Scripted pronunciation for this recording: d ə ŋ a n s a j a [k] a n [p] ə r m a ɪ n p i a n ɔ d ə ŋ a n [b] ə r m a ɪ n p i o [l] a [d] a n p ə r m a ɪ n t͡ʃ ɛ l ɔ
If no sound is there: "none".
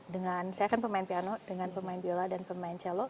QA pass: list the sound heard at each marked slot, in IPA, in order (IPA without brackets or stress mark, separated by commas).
k, p, p, l, d